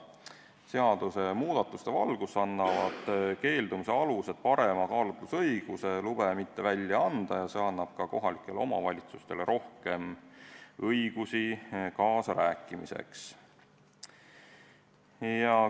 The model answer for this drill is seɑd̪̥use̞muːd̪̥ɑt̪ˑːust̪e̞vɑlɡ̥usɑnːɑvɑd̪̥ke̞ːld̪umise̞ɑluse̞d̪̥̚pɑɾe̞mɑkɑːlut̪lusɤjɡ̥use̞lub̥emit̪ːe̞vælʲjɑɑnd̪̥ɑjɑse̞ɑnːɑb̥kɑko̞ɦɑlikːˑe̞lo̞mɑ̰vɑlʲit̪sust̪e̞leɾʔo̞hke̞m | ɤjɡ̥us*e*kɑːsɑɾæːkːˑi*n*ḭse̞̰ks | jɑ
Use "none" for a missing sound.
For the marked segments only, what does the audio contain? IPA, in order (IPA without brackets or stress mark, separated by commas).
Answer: i, m